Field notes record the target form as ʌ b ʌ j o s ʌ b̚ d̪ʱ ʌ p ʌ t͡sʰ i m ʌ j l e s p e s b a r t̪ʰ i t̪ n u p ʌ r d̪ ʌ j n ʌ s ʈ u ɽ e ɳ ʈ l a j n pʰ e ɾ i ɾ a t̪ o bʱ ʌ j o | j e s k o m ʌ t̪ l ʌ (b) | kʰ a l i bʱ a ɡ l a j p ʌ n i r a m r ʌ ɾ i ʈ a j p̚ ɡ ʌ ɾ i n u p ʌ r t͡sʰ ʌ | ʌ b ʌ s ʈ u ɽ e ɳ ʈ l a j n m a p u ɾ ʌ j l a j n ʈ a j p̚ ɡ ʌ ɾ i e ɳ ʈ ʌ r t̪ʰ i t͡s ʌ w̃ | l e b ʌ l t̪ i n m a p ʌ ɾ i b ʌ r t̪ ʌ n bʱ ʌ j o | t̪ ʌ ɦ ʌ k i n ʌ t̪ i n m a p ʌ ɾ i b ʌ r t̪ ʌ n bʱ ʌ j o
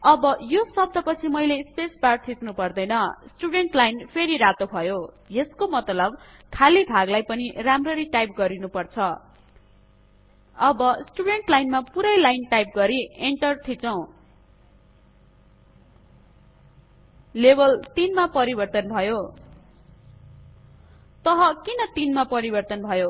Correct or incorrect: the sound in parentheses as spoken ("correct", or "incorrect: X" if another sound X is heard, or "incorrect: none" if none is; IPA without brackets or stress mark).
correct